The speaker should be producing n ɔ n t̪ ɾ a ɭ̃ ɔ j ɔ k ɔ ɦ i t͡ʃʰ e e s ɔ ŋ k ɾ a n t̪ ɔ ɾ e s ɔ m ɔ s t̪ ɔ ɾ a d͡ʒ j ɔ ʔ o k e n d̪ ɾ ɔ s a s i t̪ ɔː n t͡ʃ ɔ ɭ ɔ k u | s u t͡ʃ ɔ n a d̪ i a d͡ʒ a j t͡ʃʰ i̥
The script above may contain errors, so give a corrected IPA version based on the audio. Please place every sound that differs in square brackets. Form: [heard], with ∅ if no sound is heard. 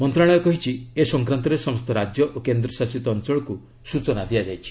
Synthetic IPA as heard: [m] ɔ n t̪ ɾ a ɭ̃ ɔ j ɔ k ɔ ɦ i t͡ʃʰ [i] e s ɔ ŋ k ɾ a n t̪ ɔ ɾ e s ɔ m ɔ s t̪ ɔ ɾ a d͡ʒ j ɔ ʔ o k e n d̪ ɾ ɔ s a s i t̪ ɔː n t͡ʃ ɔ ɭ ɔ k u | s u t͡ʃ ɔ n a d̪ i a d͡ʒ a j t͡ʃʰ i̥